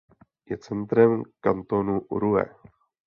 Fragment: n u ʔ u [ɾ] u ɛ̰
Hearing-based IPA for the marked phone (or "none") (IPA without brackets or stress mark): ɾ